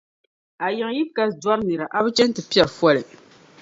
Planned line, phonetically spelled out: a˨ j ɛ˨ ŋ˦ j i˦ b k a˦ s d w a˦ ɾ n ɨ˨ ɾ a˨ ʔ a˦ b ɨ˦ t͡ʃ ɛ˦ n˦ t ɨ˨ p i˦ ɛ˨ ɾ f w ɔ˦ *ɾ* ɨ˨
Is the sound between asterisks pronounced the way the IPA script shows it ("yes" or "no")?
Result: no